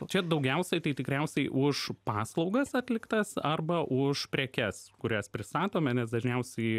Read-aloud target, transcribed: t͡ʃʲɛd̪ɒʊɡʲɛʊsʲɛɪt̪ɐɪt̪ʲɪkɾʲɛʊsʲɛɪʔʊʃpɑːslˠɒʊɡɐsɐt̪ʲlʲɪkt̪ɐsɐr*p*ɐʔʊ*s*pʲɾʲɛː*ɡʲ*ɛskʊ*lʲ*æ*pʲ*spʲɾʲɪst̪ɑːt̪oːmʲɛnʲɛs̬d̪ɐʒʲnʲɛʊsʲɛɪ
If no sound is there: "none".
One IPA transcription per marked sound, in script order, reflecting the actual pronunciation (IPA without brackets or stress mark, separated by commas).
b, ʃ, kʲ, ɾʲ, none